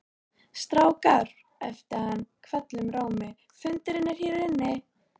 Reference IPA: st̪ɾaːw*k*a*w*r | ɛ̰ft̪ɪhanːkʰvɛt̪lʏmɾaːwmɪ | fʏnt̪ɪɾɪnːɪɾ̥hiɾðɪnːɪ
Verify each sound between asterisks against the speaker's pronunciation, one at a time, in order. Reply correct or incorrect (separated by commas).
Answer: correct, incorrect